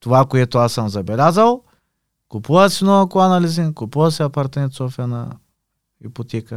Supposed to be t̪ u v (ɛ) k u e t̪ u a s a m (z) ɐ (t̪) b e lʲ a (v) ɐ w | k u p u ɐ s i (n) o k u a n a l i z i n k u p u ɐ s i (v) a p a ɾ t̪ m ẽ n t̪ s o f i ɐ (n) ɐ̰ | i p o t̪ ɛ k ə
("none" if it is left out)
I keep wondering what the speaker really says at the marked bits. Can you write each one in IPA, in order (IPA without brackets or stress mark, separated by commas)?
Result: a, z, none, z, n, none, n